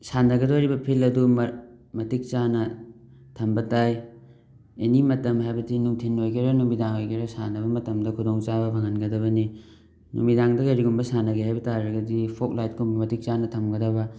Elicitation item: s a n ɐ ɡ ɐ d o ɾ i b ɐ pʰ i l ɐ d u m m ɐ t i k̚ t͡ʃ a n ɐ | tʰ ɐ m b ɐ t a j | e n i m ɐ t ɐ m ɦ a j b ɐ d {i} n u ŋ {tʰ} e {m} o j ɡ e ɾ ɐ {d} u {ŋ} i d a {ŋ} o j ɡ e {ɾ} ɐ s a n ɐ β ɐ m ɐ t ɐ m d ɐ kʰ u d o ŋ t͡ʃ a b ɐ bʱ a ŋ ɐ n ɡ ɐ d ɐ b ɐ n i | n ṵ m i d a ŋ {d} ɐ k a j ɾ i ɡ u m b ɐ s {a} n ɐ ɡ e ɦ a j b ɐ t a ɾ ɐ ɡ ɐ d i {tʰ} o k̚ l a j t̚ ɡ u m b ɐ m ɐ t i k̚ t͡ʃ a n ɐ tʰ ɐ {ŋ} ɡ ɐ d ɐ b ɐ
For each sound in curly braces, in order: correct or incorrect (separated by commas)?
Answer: correct, correct, incorrect, incorrect, incorrect, correct, correct, correct, correct, incorrect, incorrect